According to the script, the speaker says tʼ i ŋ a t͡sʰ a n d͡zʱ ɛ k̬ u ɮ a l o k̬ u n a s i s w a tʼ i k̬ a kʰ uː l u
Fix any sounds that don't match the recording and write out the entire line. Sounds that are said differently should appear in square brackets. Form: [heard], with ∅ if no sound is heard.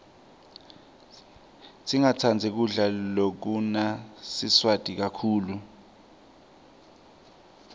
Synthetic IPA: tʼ i ŋ a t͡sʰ a n d͡zʱ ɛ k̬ u ɮ a l o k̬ u n a s i s w a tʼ i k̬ a kʰ uː l u

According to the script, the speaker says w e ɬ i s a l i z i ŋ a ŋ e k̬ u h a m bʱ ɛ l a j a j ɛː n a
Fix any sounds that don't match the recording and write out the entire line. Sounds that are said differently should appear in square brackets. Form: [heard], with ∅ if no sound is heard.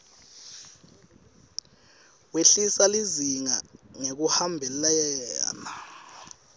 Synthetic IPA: w e ɬ i s a l i z i ŋ a ŋ e k̬ u h a m bʱ ɛ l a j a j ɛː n a

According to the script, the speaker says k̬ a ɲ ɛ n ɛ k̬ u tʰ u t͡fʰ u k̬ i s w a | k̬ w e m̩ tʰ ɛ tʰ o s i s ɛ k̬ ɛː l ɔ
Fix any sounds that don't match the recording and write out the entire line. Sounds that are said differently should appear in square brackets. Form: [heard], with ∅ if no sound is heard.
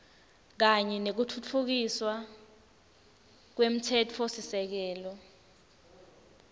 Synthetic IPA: k̬ a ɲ ɛ n [e] k̬ u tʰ u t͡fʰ u k̬ i s w a | k̬ w e m̩ tʰ ɛ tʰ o s i s ɛ k̬ ɛː l ɔ

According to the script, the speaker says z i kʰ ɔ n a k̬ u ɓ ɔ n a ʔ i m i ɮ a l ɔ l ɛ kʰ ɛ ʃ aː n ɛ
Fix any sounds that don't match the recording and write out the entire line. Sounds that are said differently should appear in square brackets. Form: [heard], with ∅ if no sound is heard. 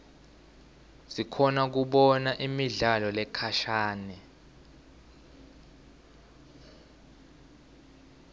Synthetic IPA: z i kʰ ɔ n a k̬ u ɓ ɔ n a ʔ i m i ɮ a l ɔ l ɛ kʰ [a] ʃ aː n ɛ

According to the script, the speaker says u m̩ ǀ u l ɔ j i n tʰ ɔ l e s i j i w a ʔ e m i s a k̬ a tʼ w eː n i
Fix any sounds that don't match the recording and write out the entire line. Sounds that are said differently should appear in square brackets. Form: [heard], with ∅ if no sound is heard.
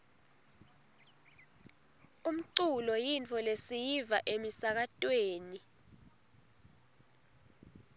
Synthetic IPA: u m̩ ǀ u l ɔ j i n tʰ ɔ l e s i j i [v] a ʔ e m i s a k̬ a tʼ w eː n i

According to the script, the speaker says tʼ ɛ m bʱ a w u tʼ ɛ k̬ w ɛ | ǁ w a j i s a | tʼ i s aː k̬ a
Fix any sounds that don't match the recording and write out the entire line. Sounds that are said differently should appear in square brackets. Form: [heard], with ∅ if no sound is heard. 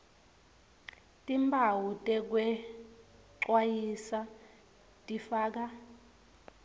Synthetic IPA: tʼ [i] m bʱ a w u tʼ ɛ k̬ w ɛ | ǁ w a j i s a | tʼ i [f] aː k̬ a

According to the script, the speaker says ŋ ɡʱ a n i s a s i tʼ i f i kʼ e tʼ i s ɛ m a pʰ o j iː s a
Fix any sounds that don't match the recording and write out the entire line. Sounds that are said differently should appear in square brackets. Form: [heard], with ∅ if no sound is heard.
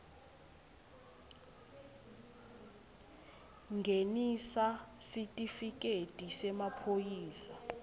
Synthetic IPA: ŋ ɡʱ [e] n i s a s i tʼ i f i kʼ e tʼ i s ɛ m a pʰ o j iː s a

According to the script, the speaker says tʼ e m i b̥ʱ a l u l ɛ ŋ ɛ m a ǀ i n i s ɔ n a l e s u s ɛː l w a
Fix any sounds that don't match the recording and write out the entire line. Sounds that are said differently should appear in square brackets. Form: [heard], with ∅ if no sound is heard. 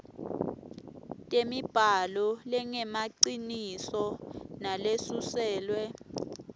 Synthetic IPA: tʼ e m i b̥ʱ a l [ɔ] l ɛ ŋ ɛ m a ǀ i n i s ɔ n a l e s u s ɛː l w [ɛ]

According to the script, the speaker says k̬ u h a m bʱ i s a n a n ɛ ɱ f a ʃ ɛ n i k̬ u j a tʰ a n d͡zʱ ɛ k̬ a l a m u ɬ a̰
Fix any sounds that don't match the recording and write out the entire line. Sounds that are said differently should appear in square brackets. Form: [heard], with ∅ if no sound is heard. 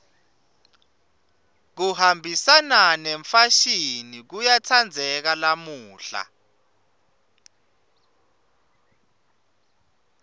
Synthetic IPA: k̬ u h a m bʱ i s a n a n ɛ ɱ f a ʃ [i] n i k̬ u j a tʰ a n d͡zʱ ɛ k̬ a l a m [uː] ɬ a̰

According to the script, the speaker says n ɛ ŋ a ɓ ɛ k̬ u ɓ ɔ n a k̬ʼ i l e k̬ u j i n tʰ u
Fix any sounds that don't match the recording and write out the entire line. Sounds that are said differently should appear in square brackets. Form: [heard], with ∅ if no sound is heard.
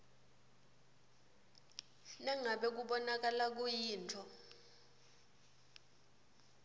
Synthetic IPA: n ɛ ŋ a ɓ ɛ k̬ u ɓ ɔ n a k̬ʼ [a] l [a] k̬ u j [iː] n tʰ [ɔ]

